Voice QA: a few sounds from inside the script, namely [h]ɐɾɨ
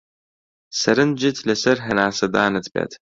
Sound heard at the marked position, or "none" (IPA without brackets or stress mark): s